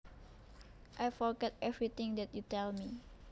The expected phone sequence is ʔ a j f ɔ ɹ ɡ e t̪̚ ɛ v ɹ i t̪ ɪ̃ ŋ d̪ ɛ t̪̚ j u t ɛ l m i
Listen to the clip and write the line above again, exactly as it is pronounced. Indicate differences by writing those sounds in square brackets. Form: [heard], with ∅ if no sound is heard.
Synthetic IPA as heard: ʔ a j f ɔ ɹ ɡ [ɛ] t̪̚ ɛ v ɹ i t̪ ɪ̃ ŋ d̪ ɛ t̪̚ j u t ɛ l m i